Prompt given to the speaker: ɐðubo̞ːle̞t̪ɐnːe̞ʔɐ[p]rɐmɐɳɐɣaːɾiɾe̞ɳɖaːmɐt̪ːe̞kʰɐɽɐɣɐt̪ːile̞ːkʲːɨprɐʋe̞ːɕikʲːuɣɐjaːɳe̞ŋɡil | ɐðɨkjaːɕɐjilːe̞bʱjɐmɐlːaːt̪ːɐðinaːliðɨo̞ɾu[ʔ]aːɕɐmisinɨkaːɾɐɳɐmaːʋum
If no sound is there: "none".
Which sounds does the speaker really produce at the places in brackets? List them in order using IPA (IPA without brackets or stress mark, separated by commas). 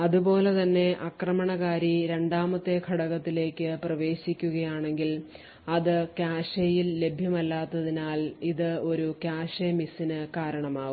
k, k